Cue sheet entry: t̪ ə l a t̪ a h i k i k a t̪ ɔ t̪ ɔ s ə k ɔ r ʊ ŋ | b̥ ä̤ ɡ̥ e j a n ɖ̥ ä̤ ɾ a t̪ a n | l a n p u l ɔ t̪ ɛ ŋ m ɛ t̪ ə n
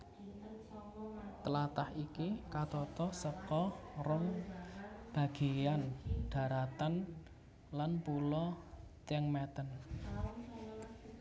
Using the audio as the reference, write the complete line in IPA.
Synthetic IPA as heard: t̪ ə l a t̪ a h i k i k a t̪ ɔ t̪ ɔ s ə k ɔ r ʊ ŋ | b̥ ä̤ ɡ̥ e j a n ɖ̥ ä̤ ɾ a t̪ a n | l a n p u l ɔ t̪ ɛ ŋ m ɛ t̪ ə n